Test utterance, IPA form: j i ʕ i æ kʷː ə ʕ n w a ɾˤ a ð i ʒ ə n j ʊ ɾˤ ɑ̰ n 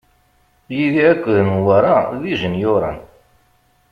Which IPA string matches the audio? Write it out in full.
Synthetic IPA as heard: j i ð i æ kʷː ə ð n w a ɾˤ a ð i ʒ ə n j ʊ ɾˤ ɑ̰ n